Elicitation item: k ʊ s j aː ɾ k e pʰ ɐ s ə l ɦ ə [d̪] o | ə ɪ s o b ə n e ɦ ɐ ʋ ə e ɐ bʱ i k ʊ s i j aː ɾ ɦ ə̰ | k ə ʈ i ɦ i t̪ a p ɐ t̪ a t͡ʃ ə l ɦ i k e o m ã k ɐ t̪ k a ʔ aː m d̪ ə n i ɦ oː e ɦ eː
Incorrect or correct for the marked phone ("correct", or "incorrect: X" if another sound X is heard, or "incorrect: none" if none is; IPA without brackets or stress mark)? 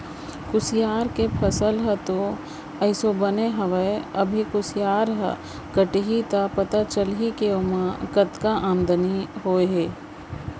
incorrect: t̪